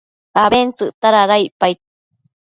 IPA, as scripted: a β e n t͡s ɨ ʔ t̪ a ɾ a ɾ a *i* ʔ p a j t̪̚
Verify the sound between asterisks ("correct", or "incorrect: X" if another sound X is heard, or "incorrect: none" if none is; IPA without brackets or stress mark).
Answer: correct